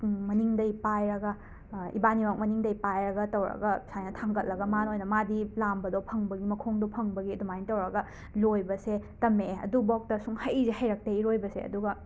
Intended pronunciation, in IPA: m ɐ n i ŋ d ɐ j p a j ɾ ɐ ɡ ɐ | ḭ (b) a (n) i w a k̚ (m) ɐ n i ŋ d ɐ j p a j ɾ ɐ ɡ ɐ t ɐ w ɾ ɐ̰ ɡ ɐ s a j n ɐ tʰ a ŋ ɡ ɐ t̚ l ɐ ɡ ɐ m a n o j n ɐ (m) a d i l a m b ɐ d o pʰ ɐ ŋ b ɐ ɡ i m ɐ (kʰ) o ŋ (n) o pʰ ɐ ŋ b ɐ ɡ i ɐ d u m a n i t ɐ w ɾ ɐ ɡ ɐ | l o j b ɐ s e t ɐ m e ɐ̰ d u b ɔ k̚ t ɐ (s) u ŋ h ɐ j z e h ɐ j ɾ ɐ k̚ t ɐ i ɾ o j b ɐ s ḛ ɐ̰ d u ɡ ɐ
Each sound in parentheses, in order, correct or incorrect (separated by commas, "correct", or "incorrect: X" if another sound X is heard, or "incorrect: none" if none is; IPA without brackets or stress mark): correct, correct, correct, correct, correct, incorrect: d, correct